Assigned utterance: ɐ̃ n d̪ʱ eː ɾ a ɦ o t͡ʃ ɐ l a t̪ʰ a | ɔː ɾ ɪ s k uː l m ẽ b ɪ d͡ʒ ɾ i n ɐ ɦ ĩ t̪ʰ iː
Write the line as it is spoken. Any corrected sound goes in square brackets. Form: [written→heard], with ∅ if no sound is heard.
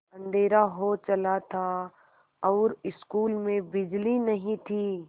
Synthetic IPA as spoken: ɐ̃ n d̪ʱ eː ɾ a ɦ o t͡ʃ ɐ l a t̪ʰ a | ɔː ɾ ɪ s k uː l m ẽ b ɪ d͡ʒ [ɾ→l] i n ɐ ɦ ĩ t̪ʰ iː